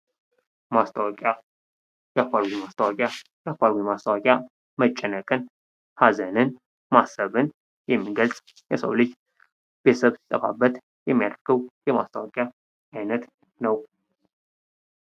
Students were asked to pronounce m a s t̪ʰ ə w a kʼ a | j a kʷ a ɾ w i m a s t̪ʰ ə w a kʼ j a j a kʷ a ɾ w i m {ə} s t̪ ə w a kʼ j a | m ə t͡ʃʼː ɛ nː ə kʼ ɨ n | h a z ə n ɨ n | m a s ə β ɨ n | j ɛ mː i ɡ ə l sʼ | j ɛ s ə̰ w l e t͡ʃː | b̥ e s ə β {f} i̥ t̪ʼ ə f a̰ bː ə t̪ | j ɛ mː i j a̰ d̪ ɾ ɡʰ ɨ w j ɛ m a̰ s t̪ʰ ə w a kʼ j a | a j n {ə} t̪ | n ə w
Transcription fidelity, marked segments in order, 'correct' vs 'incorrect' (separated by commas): incorrect, incorrect, correct